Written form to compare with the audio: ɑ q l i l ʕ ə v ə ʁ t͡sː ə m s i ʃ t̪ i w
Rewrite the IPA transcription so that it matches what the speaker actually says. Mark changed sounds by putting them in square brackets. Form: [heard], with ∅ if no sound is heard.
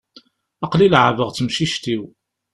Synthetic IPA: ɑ q l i l ʕ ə v ə ʁ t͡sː ə m [ʃ] i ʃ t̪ i w